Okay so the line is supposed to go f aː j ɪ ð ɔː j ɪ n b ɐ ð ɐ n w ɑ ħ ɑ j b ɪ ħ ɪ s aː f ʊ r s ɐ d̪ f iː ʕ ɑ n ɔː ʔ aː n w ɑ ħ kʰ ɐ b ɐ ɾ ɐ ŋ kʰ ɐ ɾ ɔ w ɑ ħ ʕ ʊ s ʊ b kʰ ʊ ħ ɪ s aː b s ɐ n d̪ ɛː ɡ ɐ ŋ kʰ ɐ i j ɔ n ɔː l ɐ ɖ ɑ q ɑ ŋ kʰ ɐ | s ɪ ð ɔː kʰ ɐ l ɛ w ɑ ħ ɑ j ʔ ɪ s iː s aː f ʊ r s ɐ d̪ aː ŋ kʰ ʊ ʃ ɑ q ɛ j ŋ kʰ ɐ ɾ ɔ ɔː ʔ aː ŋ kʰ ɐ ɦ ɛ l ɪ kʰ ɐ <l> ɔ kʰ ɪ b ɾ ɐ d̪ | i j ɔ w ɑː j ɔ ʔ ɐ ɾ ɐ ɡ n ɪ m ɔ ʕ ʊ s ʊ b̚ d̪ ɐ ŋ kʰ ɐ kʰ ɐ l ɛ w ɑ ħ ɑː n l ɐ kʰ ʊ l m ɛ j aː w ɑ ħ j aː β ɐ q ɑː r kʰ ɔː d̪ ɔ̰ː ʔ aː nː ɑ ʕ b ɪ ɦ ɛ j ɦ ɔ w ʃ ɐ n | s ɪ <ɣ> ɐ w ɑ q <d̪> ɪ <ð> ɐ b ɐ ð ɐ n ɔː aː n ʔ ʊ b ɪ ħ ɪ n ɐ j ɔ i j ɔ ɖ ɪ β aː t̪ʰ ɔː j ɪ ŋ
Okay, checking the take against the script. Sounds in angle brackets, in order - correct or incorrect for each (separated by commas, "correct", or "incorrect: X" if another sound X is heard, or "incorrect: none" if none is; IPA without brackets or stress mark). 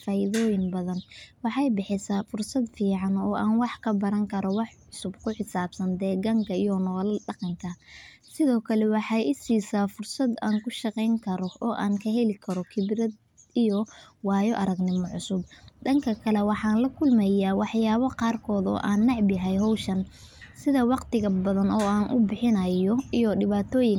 incorrect: ɾ, incorrect: ð, incorrect: t̪, incorrect: ɣ